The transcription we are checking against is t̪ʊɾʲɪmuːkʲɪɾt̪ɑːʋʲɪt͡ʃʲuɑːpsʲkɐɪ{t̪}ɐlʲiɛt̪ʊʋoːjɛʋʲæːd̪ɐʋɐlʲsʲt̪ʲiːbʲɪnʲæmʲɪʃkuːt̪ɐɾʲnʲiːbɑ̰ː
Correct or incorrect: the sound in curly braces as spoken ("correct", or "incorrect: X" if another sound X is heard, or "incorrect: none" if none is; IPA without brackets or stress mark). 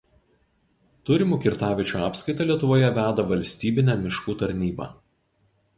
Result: correct